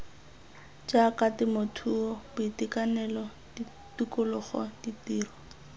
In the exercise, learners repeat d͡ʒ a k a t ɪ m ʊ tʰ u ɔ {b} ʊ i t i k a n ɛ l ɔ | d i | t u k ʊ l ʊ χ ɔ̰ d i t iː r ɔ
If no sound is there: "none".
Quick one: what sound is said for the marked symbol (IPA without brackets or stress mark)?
b